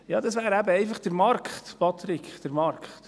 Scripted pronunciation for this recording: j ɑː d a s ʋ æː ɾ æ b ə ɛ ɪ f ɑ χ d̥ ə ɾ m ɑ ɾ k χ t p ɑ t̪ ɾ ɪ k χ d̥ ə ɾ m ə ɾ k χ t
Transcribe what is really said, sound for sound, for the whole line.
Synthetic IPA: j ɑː d ɑ s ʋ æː ɾ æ b ə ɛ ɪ f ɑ χ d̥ ə ɾ m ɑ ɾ k χ t p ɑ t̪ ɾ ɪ k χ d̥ ə ɾ m ɑ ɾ k χ t